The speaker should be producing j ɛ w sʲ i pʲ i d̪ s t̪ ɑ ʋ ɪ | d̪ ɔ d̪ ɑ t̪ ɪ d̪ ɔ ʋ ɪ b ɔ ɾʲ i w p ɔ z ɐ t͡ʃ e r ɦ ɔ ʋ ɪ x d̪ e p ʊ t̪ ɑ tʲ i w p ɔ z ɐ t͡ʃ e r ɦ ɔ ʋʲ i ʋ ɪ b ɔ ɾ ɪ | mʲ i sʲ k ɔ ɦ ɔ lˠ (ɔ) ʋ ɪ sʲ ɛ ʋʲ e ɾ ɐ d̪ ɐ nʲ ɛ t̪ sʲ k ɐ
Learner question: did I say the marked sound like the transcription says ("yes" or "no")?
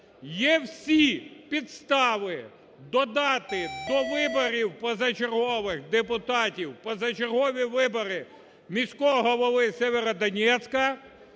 yes